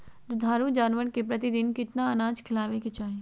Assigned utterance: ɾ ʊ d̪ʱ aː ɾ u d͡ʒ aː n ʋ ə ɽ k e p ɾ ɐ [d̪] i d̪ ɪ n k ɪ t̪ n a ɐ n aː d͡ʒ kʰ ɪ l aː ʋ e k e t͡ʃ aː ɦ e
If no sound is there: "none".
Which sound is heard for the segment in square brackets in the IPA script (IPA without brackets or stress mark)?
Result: t̪